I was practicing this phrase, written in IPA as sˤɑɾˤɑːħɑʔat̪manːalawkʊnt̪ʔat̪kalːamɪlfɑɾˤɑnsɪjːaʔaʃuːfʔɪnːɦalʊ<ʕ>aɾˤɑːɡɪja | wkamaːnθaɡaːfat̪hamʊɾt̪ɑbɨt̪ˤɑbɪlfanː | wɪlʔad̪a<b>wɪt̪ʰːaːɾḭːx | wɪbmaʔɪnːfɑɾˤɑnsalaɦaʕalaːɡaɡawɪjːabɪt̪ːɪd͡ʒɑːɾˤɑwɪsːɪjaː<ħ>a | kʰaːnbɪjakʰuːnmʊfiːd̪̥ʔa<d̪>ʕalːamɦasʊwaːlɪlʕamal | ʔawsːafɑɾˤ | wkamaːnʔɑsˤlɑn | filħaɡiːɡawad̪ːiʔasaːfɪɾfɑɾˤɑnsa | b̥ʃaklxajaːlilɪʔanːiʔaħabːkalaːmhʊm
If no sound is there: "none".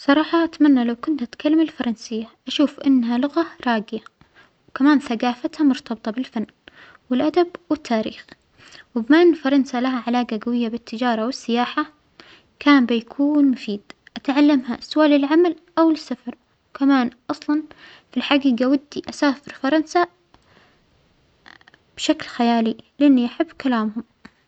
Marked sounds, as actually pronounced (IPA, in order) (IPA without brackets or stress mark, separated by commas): ɣ, b, ħ, t̪